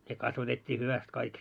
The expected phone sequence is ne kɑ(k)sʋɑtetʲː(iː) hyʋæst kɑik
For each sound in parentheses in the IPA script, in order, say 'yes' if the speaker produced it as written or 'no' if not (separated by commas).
no, yes